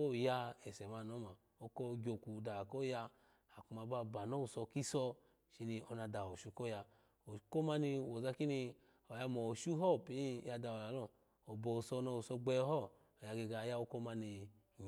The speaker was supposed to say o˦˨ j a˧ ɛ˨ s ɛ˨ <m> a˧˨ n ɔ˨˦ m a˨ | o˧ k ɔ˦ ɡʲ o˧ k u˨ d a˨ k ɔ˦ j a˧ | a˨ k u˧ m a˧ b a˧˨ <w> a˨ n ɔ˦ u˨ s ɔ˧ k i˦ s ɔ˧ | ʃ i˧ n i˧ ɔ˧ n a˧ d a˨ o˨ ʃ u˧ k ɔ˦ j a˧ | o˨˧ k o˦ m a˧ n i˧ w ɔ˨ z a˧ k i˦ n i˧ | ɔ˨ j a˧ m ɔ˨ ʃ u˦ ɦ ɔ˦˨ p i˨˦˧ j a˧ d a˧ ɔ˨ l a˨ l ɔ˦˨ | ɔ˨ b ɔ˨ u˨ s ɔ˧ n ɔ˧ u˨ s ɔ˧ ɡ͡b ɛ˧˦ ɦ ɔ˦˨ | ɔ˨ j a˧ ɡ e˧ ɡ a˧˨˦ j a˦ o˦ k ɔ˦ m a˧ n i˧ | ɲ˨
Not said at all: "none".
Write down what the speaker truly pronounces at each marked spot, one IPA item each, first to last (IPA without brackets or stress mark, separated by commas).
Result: m, b